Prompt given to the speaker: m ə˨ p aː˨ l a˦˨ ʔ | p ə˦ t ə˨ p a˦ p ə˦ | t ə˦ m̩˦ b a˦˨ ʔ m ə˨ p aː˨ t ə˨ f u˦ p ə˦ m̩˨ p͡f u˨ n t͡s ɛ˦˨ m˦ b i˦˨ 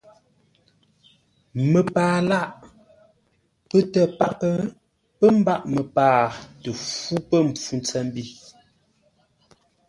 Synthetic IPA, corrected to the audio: m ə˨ p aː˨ l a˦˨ ʔ | p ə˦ t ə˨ p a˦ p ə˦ | p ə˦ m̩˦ b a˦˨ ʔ m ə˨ p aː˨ t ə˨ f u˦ p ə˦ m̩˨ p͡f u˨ n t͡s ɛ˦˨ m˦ b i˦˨